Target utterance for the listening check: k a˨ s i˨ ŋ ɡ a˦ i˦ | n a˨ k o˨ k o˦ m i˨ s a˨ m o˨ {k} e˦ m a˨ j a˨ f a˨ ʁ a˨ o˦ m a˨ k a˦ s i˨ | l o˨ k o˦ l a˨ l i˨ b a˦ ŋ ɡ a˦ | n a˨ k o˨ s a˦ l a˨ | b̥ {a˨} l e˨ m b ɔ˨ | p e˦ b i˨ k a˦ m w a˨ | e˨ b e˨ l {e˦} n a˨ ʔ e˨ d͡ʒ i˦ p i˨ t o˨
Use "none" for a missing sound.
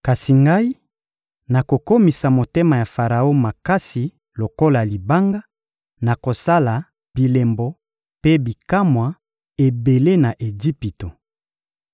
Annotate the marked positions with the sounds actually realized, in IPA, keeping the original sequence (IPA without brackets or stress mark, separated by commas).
t, i˨, e˦